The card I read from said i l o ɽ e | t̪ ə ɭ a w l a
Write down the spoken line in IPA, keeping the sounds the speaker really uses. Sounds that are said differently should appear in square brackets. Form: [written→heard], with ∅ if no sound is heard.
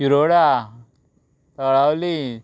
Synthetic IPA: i [l→ɾ] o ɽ [e→a] | t̪ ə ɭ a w l [a→i]